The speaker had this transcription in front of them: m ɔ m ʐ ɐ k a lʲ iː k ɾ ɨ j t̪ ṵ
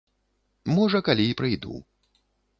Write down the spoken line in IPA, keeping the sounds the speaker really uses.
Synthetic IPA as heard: m ɔ ʐ ɐ k a lʲ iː p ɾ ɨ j d̪ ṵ

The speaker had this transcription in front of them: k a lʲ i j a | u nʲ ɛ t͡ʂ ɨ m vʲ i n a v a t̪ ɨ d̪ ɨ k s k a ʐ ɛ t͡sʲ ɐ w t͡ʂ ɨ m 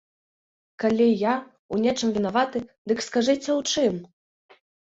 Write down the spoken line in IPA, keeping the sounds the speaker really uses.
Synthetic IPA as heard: k a lʲ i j a | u nʲ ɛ t͡ʂ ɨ m vʲ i n a v a t̪ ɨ d̪ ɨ k s k a ʐ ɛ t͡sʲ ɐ w t͡ʂ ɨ m

